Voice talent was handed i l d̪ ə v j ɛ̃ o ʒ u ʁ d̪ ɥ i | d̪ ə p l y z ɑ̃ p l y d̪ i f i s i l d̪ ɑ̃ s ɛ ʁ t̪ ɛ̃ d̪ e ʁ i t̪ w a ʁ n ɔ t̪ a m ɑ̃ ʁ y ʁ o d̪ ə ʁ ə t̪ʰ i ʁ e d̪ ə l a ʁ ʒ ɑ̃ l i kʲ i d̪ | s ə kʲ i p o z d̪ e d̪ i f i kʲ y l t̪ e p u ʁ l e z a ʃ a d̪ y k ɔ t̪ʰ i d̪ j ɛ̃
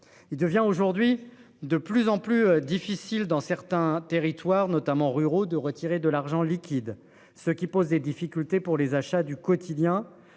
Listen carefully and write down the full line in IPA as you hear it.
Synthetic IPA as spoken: i l d̪ ə v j ɛ̃ o ʒ u ʁ d̪ ɥ i | d̪ ə p l y z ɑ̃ p l y d̪ i f i s i l d̪ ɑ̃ s ɛ ʁ t̪ ɛ̃ t̪ e ʁ i t̪ w a ʁ n ɔ t̪ a m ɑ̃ ʁ y ʁ o d̪ ə ʁ ə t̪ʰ i ʁ e d̪ ə l a ʁ ʒ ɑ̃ l i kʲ i d̪ | s ə kʲ i p o z d̪ e d̪ i f i kʲ y l t̪ e p u ʁ l e z a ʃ a d̪ y k ɔ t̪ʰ i d̪ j ɛ̃